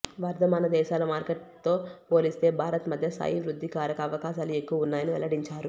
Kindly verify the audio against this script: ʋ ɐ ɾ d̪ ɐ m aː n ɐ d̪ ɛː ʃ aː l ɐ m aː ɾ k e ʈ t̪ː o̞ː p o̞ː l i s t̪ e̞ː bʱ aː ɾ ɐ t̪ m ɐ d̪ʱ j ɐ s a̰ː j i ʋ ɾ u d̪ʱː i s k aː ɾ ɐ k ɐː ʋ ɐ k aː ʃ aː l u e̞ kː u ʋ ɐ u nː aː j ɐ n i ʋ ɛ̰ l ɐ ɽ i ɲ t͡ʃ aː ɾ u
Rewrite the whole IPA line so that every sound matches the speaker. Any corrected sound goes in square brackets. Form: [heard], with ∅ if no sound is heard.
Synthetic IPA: ʋ ɐ ɾ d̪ ɐ m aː n ɐ d̪ ɛː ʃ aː l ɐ m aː ɾ k e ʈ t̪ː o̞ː p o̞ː l i s t̪ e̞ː bʱ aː ɾ ɐ t̪ m ɐ d̪ʱ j ɐ s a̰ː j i ʋ ɾ u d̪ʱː i [∅] k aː ɾ ɐ k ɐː ʋ ɐ k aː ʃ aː l u e̞ kː u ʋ ɐ u nː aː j ɐ n i ʋ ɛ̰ l ɐ ɽ i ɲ t͡ʃ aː ɾ u